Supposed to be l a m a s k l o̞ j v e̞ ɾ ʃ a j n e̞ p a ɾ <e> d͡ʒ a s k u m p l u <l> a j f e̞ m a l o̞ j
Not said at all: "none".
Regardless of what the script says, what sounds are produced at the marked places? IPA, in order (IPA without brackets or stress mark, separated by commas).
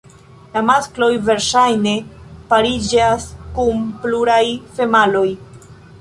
i, ɾ